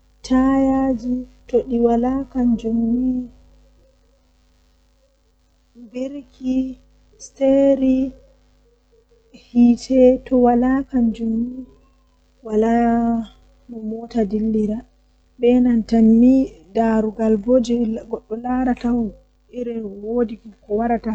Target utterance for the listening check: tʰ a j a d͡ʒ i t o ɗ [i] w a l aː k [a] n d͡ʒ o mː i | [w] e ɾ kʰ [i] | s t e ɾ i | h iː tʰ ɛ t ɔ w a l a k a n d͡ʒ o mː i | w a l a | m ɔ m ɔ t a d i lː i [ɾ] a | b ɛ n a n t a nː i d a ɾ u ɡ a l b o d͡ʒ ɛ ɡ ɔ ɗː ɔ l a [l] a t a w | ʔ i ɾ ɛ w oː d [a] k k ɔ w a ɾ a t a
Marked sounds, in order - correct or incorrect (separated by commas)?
correct, correct, incorrect, correct, correct, incorrect, incorrect